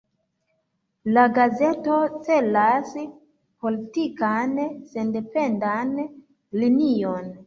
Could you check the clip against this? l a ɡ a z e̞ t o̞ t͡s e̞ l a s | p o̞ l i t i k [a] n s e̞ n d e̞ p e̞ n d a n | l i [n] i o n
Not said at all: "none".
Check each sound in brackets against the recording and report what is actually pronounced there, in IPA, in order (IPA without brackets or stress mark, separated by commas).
a, n